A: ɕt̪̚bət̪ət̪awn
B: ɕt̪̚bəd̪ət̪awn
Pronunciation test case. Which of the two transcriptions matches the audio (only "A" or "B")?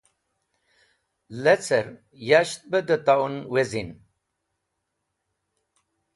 B